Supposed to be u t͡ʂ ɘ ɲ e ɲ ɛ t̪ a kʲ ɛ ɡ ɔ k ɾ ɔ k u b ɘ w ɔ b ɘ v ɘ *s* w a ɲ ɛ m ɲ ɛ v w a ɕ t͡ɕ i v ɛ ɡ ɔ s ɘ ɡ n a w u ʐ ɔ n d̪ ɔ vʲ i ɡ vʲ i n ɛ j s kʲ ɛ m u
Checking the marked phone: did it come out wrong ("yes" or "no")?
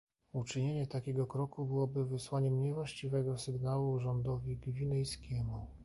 no